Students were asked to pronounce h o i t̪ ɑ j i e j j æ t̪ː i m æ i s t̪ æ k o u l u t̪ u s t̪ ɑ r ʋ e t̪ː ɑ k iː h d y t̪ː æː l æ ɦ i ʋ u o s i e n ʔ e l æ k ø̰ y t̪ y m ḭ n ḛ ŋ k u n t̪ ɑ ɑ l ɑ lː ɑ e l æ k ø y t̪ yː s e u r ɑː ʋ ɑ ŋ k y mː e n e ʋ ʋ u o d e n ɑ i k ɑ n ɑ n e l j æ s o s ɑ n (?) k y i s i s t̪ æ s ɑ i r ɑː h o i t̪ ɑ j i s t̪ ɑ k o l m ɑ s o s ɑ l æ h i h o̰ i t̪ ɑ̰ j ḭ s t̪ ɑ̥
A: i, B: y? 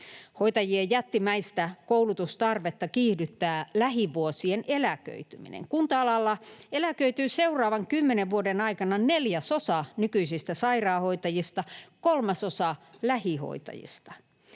B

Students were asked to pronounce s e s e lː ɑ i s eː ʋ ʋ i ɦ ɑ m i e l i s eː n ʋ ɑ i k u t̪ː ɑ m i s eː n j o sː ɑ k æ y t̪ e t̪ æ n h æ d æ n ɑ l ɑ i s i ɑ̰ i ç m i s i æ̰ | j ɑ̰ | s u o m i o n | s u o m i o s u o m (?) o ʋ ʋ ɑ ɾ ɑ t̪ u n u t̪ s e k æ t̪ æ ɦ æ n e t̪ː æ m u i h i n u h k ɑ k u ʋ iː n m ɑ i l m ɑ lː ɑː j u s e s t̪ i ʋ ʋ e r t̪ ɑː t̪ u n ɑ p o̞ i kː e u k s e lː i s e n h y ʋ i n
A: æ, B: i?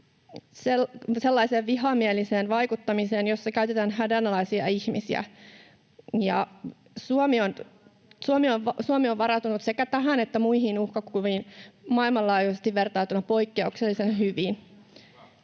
B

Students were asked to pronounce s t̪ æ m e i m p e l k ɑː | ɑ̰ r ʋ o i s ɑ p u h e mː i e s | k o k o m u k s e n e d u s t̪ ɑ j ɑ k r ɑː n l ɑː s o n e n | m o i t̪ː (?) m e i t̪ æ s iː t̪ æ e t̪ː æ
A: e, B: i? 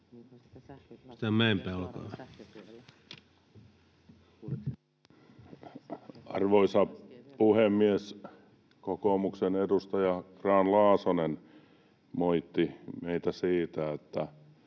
B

